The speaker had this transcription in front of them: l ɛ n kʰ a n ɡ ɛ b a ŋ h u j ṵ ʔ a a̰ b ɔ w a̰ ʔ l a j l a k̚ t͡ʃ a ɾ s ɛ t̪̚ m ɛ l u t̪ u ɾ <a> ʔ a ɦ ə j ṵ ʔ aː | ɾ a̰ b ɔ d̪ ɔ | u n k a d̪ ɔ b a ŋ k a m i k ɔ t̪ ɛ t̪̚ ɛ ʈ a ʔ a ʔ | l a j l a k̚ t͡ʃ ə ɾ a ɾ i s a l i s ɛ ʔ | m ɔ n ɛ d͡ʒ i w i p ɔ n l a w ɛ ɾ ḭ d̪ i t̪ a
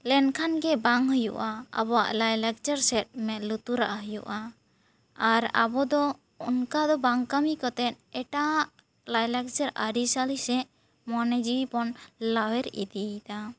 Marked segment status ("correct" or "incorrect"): correct